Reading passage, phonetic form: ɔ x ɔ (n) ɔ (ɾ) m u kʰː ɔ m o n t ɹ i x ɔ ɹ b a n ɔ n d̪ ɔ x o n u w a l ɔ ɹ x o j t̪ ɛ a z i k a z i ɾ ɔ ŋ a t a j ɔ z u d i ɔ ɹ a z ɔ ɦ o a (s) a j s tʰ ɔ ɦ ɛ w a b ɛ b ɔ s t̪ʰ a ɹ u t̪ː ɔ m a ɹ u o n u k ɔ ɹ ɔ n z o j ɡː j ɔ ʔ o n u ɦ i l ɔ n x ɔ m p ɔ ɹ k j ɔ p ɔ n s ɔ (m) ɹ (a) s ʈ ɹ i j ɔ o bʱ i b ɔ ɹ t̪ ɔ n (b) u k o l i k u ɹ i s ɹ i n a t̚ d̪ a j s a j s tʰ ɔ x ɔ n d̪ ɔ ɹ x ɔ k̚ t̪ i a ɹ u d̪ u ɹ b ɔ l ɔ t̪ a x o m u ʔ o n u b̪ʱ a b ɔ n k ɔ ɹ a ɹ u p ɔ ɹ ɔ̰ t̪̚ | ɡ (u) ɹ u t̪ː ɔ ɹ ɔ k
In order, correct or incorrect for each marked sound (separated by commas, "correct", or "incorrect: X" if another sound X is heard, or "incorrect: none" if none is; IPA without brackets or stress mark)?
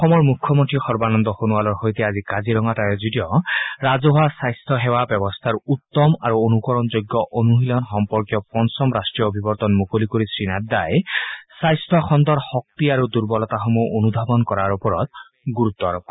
incorrect: m, incorrect: ɹ, correct, correct, correct, incorrect: m, correct